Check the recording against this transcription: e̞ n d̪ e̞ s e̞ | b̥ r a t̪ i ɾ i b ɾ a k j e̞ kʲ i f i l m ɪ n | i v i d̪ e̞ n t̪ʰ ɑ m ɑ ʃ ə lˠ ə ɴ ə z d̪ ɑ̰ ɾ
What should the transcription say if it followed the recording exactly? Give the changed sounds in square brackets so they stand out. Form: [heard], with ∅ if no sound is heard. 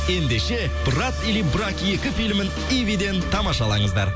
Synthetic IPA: e̞ n d̪ e̞ [ʃ] e̞ | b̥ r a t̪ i [l] i b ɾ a k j e̞ kʲ [ɪ] f i l m ɪ n | i v i d̪ e̞ n t̪ʰ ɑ m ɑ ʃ [ɑ] lˠ [ɑ] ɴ ə z d̪ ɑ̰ ɾ